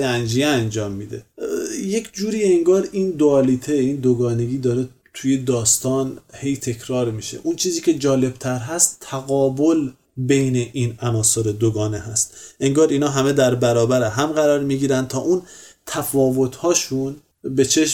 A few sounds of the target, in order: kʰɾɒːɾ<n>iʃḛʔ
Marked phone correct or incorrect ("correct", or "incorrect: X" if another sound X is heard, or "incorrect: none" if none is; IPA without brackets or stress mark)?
incorrect: m